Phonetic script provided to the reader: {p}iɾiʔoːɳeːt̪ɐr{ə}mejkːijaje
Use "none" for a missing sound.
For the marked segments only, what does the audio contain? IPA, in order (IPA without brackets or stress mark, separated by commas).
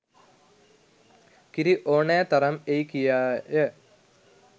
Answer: k, ɐ